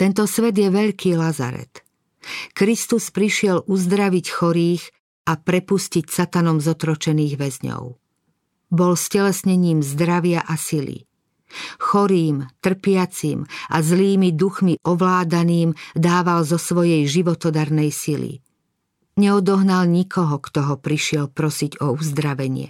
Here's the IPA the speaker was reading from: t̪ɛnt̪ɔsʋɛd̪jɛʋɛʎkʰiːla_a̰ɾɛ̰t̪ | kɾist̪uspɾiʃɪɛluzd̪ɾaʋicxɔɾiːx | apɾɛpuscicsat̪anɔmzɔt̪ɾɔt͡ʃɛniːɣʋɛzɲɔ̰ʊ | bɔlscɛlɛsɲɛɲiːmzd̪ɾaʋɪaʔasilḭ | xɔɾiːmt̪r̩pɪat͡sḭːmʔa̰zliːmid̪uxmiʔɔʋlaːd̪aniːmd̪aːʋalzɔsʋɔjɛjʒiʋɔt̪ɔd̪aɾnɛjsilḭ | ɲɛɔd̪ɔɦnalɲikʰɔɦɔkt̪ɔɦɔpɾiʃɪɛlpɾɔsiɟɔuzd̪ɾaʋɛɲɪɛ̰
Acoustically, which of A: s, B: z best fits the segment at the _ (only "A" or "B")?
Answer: B